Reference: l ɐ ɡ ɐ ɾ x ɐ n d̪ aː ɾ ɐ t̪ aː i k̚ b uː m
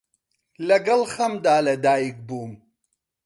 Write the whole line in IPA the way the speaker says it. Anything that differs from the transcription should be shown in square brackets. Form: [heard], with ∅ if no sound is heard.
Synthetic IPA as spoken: l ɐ ɡ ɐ [l] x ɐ [m] d̪ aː [l] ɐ [d̪] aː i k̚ b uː m